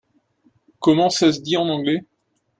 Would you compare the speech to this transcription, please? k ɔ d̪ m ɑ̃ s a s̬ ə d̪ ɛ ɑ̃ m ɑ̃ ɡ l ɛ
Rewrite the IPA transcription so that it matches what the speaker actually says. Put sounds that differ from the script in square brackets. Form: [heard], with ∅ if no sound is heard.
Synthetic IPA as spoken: k ɔ [∅] m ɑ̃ s a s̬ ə d̪ [i] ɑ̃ [n] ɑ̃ ɡ l ɛ

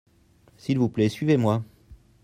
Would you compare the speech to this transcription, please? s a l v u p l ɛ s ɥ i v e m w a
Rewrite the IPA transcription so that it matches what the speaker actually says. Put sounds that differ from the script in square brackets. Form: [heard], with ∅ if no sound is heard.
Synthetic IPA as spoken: s [i] l v u p l ɛ s ɥ i v e m w a

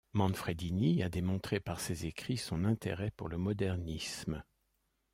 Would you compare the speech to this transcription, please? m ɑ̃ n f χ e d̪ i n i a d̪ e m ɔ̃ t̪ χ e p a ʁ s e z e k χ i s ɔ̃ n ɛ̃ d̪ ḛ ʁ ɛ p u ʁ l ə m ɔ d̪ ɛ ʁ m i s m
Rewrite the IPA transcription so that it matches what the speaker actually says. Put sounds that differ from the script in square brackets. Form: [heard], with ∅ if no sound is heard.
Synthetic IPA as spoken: m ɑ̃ n f χ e d̪ i n i a d̪ e m ɔ̃ t̪ χ e p a ʁ s e z e k χ i s ɔ̃ n ɛ̃ [t̪] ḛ ʁ ɛ p u ʁ l ə m ɔ d̪ ɛ ʁ [n] i s m

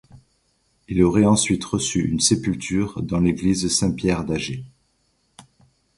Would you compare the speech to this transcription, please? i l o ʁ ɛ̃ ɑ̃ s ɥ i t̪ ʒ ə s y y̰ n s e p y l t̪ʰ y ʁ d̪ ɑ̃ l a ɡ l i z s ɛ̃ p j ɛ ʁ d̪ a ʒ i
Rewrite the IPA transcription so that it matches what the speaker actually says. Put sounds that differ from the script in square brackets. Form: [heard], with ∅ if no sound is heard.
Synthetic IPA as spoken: i l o ʁ [ɛ] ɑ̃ s ɥ i t̪ [ʁ] ə s y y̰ n s e p y l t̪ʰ y ʁ d̪ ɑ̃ l [e] ɡ l i z s ɛ̃ p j ɛ ʁ d̪ a ʒ [e]

